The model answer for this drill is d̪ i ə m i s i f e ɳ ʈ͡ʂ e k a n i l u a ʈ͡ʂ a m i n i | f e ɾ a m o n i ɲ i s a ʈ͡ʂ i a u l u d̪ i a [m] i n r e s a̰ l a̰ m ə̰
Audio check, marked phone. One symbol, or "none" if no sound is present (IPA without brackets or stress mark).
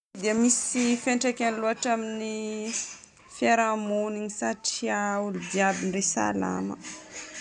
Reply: b